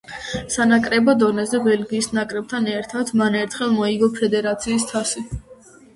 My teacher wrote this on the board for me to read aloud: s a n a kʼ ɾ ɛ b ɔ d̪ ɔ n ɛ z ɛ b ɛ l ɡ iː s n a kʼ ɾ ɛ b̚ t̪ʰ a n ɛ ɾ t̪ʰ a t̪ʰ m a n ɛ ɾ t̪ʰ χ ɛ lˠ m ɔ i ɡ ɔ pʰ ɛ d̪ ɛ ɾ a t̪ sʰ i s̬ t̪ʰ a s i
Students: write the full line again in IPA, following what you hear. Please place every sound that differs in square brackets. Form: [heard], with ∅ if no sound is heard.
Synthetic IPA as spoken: s a n a kʼ ɾ ɛ b ɔ d̪ ɔ n ɛ z ɛ b ɛ l ɡ iː s n a kʼ ɾ ɛ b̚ t̪ʰ a n ɛ ɾ t̪ʰ a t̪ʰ m a n ɛ ɾ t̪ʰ χ ɛ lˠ m ɔ i ɡ ɔ pʰ ɛ d̪ ɛ ɾ a t̪ sʰ [iː] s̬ t̪ʰ a s i